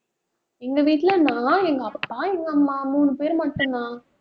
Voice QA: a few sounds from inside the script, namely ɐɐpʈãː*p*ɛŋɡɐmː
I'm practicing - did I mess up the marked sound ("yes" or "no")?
yes